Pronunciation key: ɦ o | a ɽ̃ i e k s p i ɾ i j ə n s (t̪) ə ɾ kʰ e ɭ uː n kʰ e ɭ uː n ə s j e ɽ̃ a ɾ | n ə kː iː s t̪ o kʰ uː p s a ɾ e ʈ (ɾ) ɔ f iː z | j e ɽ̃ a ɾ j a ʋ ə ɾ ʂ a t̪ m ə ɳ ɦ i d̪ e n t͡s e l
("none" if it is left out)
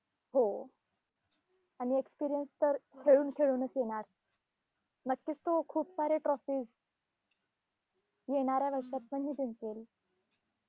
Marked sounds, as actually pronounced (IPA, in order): t̪, ɾ

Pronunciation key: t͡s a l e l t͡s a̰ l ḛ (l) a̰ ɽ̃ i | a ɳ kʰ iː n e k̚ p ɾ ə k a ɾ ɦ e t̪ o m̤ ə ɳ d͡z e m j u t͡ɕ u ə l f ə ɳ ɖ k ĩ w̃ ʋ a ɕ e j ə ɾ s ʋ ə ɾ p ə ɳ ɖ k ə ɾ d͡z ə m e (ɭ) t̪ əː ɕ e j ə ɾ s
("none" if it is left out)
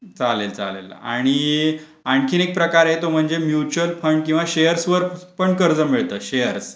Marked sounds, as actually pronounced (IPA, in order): l, ɭ

